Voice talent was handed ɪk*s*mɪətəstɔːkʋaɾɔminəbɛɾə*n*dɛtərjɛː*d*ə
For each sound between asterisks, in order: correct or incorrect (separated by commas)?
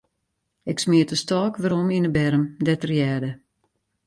correct, incorrect, correct